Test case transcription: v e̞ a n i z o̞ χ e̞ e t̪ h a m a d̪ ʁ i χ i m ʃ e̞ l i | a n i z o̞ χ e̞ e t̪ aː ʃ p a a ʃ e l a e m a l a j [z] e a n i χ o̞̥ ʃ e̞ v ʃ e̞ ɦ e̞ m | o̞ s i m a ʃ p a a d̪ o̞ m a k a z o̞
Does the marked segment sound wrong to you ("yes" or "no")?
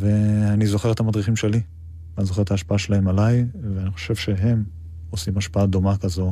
yes